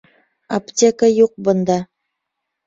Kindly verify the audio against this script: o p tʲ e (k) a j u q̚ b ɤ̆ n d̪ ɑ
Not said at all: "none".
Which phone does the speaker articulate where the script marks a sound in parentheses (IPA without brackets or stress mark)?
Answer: k